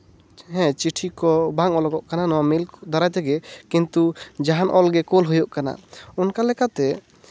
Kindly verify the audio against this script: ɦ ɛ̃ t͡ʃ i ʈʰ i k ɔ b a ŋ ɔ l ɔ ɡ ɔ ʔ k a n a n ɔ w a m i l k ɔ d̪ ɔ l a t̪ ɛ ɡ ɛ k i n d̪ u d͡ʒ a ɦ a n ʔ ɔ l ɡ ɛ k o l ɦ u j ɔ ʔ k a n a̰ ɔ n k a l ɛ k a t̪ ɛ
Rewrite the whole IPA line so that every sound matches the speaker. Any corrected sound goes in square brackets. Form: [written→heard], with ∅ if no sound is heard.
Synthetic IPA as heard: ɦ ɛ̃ t͡ʃ i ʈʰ i k ɔ b a ŋ ɔ l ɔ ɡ ɔ ʔ k a n a n ɔ w a m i l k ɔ d̪ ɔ [l→ɾ] a t̪ ɛ ɡ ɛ k i n [d̪→t̪] u d͡ʒ a ɦ a n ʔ ɔ l ɡ ɛ k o l ɦ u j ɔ ʔ k a n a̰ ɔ n k a l ɛ k a t̪ ɛ